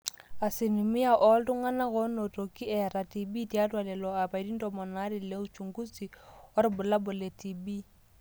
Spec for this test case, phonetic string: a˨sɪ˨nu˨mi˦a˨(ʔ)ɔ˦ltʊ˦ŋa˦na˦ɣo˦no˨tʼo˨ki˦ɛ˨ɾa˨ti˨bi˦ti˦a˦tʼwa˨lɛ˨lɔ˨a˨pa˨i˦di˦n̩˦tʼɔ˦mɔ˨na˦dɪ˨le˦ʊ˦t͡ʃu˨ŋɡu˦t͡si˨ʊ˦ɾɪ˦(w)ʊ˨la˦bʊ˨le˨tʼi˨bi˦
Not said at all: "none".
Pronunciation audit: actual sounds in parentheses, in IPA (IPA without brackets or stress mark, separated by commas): ʔ, b